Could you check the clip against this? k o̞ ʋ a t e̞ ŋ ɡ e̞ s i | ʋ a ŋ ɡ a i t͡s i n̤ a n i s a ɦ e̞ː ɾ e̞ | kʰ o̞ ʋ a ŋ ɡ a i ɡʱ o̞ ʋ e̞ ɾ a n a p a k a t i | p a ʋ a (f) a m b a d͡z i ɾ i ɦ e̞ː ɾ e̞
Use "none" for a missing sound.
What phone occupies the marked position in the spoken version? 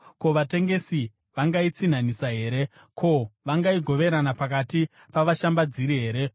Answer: ʃ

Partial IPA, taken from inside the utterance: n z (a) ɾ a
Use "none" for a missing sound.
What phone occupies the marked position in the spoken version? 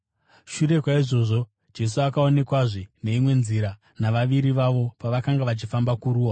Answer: i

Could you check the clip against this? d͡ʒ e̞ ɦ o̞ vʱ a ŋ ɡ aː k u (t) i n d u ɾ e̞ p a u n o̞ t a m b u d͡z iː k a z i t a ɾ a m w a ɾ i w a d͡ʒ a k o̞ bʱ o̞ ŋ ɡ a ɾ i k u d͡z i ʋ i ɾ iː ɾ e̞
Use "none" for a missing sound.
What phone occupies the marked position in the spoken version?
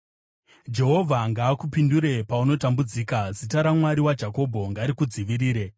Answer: p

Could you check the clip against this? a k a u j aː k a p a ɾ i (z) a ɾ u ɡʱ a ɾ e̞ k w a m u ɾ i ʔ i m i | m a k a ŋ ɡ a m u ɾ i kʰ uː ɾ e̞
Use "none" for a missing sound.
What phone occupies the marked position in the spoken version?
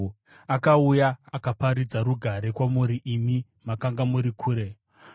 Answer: d͡z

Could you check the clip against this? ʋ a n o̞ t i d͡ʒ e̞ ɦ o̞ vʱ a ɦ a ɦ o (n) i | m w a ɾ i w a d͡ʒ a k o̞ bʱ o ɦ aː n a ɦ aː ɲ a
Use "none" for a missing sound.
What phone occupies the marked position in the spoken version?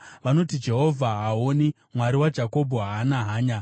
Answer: n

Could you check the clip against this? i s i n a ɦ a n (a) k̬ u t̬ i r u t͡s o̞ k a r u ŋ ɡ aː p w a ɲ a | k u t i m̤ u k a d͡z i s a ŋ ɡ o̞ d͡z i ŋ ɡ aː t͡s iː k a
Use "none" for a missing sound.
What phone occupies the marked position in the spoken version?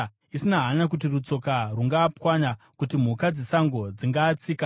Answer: a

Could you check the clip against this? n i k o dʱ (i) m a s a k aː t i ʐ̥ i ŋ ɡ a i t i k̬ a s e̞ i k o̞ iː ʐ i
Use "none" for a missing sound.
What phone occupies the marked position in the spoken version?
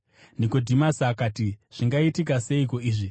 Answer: i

